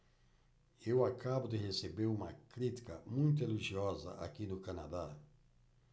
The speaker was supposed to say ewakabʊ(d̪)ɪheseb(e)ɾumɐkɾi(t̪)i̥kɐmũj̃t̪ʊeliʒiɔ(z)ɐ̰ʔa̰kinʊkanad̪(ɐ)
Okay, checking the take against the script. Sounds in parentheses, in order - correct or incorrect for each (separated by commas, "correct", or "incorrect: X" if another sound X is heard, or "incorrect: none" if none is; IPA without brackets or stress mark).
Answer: correct, correct, correct, correct, incorrect: a